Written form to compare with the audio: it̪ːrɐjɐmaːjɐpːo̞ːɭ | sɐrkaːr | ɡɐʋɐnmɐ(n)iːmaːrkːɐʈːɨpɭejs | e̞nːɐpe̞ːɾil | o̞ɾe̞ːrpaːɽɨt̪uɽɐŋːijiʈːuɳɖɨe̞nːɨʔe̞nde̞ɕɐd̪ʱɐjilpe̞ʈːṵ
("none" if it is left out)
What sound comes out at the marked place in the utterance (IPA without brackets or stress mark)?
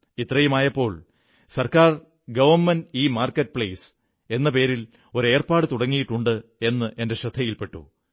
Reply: n